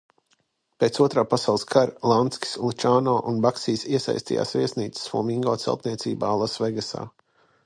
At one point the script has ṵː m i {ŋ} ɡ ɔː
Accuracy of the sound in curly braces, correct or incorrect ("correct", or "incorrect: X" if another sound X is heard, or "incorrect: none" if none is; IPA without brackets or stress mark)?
correct